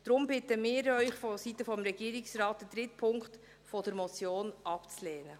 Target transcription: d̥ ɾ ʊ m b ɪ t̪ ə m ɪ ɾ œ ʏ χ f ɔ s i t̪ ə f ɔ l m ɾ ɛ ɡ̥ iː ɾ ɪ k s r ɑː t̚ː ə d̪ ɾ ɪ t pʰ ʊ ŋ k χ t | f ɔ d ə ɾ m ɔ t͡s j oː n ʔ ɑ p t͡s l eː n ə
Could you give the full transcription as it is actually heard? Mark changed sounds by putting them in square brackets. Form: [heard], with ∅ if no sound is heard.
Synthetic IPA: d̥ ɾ ʊ m b ɪ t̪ ə m [ɪː] ɾ œ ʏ χ f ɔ s i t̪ ə f ɔ [∅] m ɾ ɛ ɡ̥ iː ɾ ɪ k s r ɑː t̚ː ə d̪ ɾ ɪ t pʰ ʊ ŋ k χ t | f ɔ d ə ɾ m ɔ t͡s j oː n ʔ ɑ p t͡s l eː n ə